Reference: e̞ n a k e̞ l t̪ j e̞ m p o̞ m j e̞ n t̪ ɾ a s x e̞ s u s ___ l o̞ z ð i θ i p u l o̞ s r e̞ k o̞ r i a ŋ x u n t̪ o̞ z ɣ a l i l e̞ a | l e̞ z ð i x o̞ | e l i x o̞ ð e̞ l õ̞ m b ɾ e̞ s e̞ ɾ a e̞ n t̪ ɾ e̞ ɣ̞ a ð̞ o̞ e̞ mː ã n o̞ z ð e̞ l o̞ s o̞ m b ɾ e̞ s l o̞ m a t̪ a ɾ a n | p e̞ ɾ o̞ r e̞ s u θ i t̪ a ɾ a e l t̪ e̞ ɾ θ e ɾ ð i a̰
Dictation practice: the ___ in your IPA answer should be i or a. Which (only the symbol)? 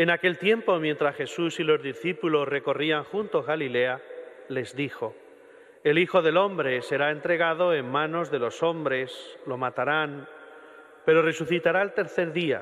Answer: i